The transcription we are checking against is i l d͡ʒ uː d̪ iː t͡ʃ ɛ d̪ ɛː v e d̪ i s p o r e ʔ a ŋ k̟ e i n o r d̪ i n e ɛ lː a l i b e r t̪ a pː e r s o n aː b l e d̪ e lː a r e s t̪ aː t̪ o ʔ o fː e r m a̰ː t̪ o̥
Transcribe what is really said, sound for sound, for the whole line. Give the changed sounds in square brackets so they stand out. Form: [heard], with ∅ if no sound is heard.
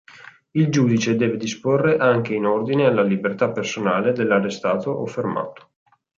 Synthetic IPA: i l d͡ʒ uː d̪ [i] t͡ʃ [e] d̪ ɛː v e d̪ i s p o [rː] e ʔ a ŋ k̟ e i n o r d̪ i n e [a] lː a l i b e r t̪ a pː e r s o n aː [∅] l e d̪ e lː a r e s t̪ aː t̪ o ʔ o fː e r m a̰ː t̪ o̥